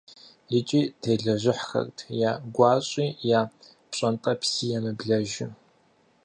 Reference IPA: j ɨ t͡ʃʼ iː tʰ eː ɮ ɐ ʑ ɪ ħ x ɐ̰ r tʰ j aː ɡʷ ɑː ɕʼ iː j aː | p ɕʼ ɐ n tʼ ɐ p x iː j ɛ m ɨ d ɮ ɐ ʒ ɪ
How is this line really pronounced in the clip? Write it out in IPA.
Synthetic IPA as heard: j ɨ t͡ʃʼ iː tʰ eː ɮ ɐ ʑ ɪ ħ x ɐ̰ r tʰ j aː ɡʷ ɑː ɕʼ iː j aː | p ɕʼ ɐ n tʼ ɐ p s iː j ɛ m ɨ b ɮ ɐ ʒ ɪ